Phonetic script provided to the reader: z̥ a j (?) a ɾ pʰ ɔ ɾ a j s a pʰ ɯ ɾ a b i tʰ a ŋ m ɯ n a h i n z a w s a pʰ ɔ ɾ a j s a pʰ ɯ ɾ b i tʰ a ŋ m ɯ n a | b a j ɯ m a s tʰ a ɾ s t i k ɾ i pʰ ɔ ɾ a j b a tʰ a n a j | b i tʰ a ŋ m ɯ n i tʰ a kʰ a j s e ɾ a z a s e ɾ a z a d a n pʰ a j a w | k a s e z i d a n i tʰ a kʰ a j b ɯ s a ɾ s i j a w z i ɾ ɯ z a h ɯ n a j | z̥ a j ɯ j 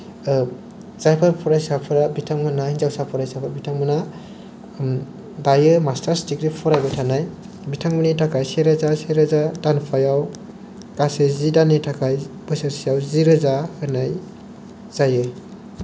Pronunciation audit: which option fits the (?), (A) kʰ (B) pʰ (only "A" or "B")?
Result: B